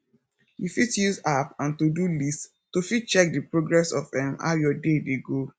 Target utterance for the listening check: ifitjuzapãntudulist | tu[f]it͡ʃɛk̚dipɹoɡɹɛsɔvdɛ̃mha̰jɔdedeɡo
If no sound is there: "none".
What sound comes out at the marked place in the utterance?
f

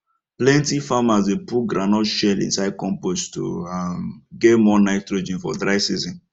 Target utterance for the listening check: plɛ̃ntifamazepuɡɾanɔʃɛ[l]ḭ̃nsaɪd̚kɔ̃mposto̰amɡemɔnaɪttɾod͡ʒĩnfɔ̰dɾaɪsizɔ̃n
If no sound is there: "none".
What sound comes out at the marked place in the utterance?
l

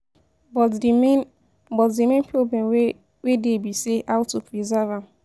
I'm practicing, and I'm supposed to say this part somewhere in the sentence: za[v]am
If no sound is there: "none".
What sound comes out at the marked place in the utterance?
v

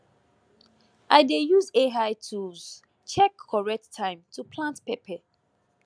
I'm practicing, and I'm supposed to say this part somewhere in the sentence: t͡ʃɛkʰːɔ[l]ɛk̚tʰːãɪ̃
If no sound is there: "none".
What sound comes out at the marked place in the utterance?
ɹ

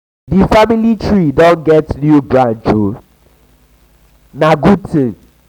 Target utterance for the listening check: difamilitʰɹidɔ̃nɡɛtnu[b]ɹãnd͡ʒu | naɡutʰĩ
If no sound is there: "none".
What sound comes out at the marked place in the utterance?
b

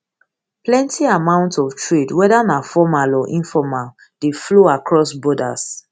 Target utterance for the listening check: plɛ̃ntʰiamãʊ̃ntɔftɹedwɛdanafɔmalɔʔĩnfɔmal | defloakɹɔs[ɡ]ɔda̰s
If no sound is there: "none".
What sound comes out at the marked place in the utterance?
b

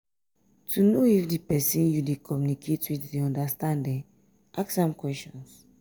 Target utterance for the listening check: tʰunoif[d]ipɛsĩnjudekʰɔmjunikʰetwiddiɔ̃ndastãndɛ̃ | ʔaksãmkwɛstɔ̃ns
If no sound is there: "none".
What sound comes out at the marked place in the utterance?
d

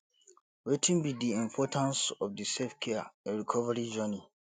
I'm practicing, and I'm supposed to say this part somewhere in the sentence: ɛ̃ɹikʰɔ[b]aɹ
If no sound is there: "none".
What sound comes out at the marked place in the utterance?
v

